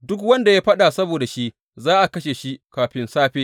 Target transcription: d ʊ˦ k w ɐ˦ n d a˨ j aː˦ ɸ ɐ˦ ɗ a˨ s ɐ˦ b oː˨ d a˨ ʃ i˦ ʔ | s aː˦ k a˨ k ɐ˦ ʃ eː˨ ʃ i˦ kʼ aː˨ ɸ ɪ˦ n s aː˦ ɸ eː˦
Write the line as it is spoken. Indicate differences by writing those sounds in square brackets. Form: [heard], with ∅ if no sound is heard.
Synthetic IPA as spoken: d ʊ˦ k w ɐ˦ n d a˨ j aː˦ ɸ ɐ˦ ɗ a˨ s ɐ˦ b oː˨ d a˨ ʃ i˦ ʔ | [z] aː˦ [ʔ] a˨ k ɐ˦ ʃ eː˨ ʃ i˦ [k] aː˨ ɸ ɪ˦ n s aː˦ ɸ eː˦